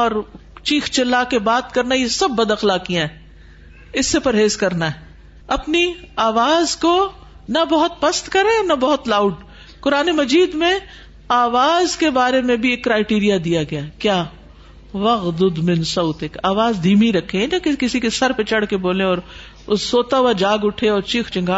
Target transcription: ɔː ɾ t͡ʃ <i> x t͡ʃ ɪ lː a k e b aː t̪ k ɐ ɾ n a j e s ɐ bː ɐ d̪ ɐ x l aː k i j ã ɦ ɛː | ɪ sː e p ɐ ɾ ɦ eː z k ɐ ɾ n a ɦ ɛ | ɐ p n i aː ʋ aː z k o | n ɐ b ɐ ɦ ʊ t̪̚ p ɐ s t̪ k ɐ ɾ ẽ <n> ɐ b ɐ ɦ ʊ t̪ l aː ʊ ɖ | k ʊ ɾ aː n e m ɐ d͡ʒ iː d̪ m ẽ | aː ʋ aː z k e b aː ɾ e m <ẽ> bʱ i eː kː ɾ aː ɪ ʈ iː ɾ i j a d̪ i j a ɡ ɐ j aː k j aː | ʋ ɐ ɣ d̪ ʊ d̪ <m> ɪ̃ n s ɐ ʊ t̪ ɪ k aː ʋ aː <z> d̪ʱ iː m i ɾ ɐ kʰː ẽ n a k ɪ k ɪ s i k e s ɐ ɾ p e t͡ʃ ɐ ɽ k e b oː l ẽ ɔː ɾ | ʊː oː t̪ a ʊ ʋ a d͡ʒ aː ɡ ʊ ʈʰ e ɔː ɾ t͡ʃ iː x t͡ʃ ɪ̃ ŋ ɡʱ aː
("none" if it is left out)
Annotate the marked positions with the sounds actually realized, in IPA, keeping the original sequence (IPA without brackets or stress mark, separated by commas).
iː, n, ẽ, m, z